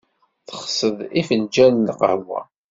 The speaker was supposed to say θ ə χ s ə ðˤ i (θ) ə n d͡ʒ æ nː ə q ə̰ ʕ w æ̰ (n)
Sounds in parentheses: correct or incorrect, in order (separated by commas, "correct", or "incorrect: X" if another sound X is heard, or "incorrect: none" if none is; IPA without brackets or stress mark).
incorrect: f, incorrect: none